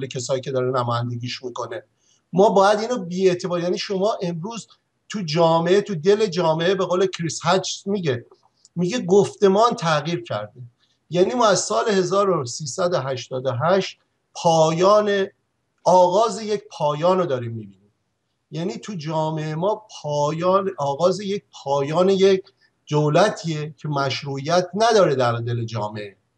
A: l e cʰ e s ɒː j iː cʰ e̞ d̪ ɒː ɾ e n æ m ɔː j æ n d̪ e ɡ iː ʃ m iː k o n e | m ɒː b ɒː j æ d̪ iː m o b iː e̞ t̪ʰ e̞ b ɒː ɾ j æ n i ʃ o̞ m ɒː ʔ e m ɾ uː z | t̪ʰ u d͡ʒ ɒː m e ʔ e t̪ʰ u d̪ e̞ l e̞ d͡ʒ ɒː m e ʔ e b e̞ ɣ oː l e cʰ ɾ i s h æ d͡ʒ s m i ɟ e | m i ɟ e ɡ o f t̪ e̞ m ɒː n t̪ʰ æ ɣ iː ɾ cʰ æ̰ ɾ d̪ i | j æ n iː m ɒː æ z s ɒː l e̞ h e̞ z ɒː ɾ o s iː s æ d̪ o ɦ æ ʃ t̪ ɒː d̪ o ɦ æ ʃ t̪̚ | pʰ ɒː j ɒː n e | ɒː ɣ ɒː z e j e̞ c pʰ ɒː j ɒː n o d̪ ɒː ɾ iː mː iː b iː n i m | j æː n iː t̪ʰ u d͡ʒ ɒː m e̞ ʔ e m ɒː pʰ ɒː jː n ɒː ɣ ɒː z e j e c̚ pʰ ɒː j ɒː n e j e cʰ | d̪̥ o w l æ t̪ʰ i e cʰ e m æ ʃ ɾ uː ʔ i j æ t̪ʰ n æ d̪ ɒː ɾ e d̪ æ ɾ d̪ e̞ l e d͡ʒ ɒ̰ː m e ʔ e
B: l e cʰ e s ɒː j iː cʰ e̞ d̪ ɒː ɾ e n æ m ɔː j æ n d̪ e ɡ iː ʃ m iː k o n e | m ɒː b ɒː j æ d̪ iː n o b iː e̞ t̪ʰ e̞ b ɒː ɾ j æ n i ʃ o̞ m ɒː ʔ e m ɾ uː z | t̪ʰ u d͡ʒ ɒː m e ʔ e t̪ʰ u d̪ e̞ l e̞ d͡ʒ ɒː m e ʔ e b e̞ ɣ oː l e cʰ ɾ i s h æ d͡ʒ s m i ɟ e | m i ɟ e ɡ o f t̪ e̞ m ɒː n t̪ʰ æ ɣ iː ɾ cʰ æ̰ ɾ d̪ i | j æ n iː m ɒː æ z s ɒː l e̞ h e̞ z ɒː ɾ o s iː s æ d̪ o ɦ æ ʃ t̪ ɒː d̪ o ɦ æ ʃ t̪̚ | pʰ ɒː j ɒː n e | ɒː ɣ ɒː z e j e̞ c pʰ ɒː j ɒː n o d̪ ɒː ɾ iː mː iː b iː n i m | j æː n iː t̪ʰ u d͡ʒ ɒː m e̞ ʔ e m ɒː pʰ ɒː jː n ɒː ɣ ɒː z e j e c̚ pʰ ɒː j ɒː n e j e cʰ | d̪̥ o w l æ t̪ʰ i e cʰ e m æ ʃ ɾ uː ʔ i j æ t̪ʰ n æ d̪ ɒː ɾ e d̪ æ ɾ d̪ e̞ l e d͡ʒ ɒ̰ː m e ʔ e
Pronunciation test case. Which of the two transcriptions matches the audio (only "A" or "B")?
B